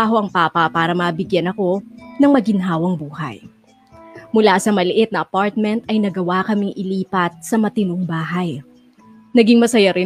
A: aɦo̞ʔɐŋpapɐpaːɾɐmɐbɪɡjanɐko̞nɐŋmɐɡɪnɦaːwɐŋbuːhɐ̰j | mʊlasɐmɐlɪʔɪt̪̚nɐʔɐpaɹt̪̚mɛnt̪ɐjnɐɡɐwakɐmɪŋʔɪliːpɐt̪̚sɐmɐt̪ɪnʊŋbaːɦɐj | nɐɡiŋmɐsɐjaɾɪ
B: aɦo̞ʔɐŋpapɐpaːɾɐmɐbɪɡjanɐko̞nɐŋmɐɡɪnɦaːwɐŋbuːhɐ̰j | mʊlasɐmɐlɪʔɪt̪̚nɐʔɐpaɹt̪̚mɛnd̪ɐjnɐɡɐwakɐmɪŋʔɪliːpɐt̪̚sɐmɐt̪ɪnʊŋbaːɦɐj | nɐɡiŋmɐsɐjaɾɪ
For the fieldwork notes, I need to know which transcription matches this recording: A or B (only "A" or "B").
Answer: A